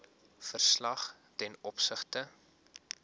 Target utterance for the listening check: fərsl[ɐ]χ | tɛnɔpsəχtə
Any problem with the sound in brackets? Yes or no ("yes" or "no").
no